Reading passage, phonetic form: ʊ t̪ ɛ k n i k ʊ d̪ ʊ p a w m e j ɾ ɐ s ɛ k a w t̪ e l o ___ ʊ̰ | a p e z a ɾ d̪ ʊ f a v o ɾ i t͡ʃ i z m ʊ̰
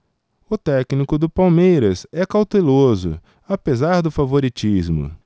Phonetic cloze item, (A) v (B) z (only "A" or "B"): B